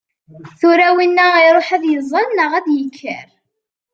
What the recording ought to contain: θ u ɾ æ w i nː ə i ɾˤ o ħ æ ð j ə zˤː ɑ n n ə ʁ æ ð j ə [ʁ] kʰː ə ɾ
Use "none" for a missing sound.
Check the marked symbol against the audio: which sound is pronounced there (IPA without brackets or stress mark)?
none